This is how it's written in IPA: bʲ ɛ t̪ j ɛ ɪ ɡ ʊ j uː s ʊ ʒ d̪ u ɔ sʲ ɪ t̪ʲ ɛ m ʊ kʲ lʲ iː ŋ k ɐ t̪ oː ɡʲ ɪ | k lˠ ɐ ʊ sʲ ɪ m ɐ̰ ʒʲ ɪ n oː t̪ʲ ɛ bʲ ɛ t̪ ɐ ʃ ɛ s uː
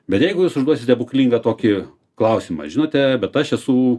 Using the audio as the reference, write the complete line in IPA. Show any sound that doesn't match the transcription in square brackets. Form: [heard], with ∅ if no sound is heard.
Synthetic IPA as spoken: bʲ ɛ t̪ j ɛ ɪ ɡ ʊ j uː s ʊ ʒ d̪ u ɔ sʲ ɪ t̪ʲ ɛ [b] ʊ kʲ lʲ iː ŋ [ɡ] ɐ t̪ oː [kʲ] ɪ | k lˠ ɐ ʊ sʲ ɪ m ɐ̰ ʒʲ ɪ n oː t̪ʲ ɛ bʲ ɛ t̪ ɐ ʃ ɛ s uː